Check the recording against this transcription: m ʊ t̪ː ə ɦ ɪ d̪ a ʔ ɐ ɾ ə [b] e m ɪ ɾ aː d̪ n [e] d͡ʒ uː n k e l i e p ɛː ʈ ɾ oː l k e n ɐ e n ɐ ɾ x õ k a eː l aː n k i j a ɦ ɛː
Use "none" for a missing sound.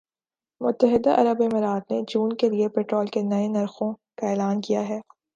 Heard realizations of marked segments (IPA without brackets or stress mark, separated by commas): b, e